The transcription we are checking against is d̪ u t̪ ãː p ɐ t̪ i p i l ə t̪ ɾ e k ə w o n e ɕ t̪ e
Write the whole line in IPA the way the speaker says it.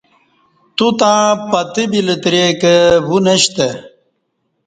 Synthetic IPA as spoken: t̪ u t̪ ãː p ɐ t̪ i b i l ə t̪ ɾ e k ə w u n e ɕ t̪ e